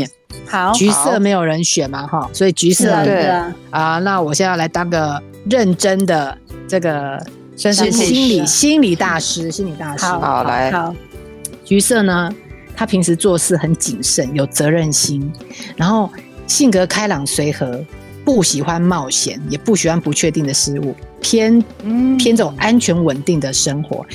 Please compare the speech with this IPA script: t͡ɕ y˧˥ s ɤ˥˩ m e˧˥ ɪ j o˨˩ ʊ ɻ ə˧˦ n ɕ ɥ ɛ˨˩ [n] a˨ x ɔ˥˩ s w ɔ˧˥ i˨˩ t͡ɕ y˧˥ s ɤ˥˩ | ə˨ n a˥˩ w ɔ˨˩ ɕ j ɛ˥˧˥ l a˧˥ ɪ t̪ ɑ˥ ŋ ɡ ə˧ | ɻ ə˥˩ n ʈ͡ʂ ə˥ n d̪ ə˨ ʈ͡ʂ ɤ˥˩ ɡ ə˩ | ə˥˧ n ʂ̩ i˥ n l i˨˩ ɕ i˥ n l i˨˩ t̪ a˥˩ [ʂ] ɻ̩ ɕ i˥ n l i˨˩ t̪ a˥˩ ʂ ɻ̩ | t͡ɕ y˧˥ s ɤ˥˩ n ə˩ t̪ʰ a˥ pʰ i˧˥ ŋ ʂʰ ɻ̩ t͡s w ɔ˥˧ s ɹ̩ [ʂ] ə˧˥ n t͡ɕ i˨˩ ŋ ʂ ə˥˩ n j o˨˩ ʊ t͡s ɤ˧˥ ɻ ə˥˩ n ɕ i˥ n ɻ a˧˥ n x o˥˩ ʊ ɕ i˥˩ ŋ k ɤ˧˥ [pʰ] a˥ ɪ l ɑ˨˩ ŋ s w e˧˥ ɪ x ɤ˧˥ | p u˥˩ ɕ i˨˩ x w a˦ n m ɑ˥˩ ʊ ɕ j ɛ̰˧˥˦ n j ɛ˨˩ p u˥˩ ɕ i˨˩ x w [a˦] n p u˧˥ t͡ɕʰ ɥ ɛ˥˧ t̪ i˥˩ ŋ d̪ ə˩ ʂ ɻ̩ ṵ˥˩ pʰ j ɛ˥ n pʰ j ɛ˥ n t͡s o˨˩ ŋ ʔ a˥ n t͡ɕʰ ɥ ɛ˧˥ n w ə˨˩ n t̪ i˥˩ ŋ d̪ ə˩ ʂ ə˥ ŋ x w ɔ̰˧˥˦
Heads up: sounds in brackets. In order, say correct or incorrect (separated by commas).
incorrect, correct, incorrect, incorrect, correct